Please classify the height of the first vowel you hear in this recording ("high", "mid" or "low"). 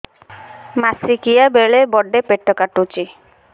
low